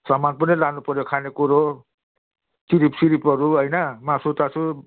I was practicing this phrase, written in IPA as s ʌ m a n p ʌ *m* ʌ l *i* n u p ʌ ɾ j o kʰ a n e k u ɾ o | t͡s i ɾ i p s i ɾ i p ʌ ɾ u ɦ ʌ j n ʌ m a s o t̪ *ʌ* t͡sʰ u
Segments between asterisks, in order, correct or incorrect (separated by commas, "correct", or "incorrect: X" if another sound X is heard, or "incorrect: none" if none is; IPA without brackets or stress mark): incorrect: n, incorrect: a, incorrect: a